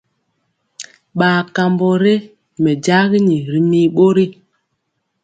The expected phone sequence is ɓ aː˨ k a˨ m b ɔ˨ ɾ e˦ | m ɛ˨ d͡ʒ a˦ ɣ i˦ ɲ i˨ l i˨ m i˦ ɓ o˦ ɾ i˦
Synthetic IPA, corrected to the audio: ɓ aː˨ k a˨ m b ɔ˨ ɾ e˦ | m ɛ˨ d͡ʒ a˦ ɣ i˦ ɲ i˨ ɾ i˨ m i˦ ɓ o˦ ɾ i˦